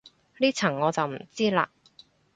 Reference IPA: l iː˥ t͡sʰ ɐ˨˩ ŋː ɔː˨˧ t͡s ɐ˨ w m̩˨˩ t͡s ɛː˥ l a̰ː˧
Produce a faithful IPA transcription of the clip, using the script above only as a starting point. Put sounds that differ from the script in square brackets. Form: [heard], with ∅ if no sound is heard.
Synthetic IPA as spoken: l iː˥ t͡sʰ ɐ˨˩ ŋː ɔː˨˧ t͡s ɐ˨ w m̩˨˩ t͡s [iː˥] l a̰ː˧